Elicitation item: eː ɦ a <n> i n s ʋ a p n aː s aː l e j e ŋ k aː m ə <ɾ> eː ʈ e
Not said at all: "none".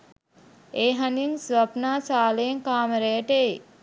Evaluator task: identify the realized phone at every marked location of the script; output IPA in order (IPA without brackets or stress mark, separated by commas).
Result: n, ɾ